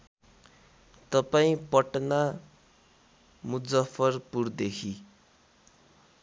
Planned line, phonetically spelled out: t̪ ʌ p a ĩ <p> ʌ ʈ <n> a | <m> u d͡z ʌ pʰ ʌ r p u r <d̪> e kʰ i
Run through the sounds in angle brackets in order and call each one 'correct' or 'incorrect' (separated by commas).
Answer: correct, correct, correct, correct